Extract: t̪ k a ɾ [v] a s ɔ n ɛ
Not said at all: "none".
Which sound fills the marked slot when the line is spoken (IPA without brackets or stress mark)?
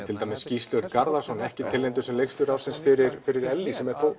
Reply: ð